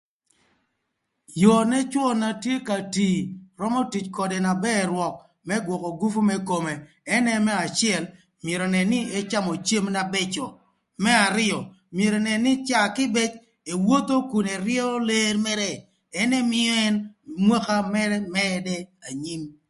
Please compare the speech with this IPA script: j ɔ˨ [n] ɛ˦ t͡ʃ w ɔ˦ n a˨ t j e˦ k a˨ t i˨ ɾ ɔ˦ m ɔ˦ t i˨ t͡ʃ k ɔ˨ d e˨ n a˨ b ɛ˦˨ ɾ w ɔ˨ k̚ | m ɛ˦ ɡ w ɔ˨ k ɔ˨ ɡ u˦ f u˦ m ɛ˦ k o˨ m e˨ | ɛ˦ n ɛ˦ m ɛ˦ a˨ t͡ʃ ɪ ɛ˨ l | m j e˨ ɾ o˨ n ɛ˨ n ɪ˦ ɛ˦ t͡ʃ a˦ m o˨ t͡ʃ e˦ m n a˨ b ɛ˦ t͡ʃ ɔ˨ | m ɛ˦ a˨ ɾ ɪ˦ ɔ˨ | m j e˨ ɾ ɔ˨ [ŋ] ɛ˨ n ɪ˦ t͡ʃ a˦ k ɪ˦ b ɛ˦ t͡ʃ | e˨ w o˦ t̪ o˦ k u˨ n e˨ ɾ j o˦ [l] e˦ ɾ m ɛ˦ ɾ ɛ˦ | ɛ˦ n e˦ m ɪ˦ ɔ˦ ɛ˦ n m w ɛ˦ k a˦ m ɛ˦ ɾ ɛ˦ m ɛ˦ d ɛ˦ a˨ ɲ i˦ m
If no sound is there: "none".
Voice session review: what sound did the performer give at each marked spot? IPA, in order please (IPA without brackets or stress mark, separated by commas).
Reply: n, n, l